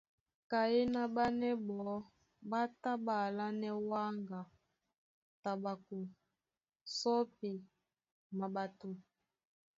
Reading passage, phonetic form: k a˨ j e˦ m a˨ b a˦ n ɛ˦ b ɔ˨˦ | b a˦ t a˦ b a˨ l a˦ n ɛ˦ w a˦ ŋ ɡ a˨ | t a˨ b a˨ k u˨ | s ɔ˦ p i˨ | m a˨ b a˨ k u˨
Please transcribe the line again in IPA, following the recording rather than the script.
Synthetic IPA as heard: k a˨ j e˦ n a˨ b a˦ n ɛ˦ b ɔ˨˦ | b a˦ t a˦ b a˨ l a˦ n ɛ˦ w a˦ ŋ ɡ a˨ | t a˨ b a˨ k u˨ | s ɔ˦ p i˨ | m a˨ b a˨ t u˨